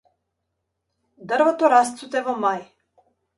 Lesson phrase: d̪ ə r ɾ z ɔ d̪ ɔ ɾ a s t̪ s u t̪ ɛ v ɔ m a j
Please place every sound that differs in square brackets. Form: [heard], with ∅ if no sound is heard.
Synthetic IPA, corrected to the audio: d̪ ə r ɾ [v] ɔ [t̪] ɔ ɾ a s t̪ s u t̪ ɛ v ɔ m a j